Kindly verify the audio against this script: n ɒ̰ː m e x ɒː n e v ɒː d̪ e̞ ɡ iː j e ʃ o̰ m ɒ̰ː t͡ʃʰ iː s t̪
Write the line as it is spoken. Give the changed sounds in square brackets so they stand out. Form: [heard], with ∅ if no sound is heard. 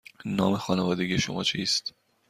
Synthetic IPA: n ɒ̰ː m e x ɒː n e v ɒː d̪ e̞ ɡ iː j e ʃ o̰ m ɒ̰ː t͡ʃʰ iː s t̪